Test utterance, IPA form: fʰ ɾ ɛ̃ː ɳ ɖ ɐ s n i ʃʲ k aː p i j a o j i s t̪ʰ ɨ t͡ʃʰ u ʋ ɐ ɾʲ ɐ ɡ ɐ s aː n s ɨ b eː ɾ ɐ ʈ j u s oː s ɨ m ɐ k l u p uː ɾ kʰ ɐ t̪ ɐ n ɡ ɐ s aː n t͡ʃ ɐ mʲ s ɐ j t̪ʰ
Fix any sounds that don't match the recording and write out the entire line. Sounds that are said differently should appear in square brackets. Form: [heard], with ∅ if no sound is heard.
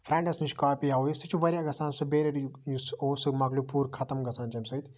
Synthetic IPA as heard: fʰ ɾ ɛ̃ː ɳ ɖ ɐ s n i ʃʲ k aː p i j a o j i s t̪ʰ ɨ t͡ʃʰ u ʋ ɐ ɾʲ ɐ ɡ ɐ s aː n s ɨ b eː ɾ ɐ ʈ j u s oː s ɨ m ɐ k l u p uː ɾ kʰ ɐ t̪ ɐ [m] ɡ ɐ s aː n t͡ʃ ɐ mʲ s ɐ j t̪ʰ